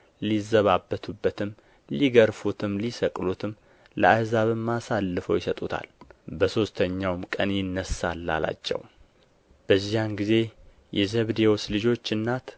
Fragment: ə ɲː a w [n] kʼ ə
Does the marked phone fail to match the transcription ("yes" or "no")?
yes